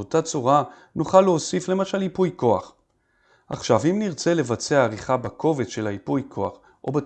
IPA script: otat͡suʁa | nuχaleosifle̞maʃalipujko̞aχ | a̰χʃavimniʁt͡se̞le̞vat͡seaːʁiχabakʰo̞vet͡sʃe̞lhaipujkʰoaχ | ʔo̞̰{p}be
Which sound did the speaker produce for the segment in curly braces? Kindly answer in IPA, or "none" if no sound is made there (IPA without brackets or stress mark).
none